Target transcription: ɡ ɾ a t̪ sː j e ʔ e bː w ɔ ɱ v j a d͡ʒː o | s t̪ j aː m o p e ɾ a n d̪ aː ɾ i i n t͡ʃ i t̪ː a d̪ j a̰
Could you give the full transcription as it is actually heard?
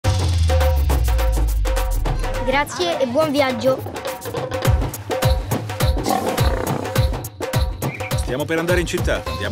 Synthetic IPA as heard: ɡ ɾ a t̪ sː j e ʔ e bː w ɔ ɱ v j a d͡ʒː o | s t̪ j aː m o p e ɾ a n d̪ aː ɾ e i n t͡ʃ i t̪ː a d̪ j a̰